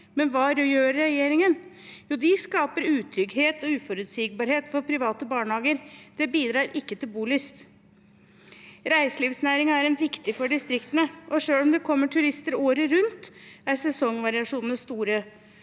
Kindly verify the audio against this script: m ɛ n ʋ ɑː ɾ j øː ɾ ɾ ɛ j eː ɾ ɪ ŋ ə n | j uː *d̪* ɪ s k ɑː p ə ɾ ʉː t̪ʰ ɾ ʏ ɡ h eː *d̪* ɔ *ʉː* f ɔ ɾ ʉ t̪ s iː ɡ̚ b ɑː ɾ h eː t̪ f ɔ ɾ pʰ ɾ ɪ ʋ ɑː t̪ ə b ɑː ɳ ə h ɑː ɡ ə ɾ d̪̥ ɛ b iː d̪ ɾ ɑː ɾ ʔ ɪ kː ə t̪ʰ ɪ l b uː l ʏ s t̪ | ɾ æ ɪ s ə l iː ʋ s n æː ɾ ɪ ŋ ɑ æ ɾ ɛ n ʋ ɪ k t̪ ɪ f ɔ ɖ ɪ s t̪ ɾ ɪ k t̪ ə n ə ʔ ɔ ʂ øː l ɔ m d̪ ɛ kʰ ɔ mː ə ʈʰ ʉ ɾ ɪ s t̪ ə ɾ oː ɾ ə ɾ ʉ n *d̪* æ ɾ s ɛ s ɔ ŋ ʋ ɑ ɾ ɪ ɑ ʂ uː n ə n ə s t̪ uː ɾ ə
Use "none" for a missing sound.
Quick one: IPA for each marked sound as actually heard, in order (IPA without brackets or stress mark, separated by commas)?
d̪, t̪, ʉː, t̪